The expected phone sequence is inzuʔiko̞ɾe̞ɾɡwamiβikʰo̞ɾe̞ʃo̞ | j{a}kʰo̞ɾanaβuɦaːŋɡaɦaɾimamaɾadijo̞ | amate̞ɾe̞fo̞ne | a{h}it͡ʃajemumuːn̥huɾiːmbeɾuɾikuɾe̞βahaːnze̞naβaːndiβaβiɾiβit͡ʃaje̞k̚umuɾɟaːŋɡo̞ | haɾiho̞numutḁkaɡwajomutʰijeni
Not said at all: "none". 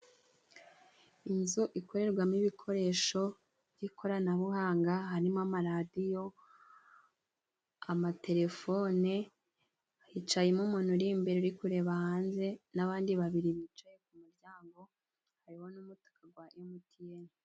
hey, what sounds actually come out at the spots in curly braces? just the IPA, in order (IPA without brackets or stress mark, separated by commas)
i, h